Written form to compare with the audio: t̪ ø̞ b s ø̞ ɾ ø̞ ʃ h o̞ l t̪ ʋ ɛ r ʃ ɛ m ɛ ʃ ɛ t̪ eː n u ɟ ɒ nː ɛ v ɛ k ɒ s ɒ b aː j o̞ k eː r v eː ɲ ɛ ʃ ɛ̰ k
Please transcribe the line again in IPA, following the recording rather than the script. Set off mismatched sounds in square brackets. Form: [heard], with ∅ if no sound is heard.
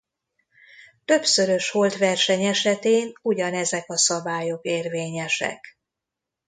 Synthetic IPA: t̪ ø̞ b s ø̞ ɾ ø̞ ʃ h o̞ l t̪ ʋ ɛ r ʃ ɛ [ɲ] ɛ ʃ ɛ t̪ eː n u ɟ ɒ [n] ɛ [z] ɛ k ɒ s ɒ b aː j o̞ k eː r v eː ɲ ɛ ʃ ɛ̰ k